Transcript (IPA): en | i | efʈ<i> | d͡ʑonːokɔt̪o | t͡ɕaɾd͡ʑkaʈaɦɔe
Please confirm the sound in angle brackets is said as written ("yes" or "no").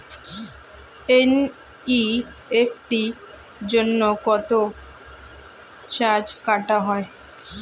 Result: yes